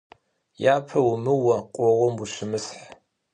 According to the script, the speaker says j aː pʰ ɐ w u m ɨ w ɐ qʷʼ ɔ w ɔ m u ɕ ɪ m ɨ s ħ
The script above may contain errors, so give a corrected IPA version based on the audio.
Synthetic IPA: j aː pʰ ɐ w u m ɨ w ɐ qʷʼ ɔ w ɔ m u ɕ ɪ m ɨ s ħ